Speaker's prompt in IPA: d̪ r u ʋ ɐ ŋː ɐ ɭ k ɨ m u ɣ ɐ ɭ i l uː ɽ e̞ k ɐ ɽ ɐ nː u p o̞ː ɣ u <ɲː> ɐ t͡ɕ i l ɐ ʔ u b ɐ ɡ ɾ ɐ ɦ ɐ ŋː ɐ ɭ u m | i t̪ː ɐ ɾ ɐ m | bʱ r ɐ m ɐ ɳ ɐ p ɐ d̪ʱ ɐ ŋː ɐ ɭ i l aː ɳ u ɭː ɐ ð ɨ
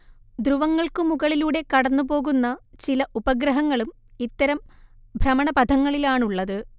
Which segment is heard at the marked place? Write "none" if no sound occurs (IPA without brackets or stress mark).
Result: nː